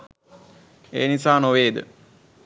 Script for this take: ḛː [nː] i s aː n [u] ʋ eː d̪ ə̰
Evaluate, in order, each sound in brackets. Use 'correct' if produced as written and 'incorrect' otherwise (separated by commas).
incorrect, incorrect